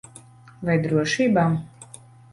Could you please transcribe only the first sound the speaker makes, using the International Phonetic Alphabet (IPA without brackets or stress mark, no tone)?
v